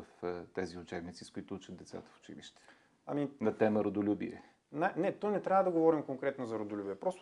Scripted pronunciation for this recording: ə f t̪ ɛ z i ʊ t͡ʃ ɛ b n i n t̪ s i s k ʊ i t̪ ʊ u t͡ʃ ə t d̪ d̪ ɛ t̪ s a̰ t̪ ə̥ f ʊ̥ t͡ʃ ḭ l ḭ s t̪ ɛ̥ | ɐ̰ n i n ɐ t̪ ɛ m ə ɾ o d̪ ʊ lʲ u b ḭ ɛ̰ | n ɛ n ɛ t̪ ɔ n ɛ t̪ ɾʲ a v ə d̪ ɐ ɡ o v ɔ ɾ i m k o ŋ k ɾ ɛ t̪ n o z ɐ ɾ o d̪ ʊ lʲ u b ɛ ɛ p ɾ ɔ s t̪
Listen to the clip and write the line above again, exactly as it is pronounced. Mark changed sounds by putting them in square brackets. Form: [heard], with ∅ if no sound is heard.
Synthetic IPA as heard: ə f t̪ ɛ z i ʊ t͡ʃ ɛ b n i [∅] t̪ s i s k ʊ i t̪ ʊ u t͡ʃ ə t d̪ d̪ ɛ t̪ s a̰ t̪ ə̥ f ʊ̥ t͡ʃ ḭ l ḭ [ʃ] t̪ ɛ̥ | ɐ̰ [m] i n ɐ t̪ ɛ m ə ɾ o d̪ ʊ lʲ u b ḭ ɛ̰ | n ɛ n ɛ t̪ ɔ n ɛ t̪ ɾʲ a v ə d̪ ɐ ɡ o v ɔ ɾ i m k o ŋ k ɾ ɛ t̪ n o z ɐ ɾ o d̪ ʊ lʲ u b [i] ɛ p ɾ ɔ s t̪